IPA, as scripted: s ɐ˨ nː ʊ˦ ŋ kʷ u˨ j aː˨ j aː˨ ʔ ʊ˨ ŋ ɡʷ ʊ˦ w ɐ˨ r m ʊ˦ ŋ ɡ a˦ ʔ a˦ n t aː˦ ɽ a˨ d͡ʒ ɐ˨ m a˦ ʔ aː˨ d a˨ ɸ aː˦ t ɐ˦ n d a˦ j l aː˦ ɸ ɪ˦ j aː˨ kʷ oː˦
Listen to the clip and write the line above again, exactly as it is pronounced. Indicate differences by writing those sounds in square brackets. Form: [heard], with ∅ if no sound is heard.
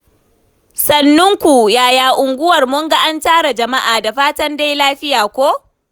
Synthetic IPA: s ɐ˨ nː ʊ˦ ŋ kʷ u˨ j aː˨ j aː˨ ʔ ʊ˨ ŋ ɡʷ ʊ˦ w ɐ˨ r m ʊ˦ ŋ ɡ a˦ ʔ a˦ n t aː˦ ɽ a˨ d͡ʒ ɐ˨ m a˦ ʔ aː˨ d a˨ ɸ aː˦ t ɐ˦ n d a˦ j l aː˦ ɸ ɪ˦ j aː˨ kʷ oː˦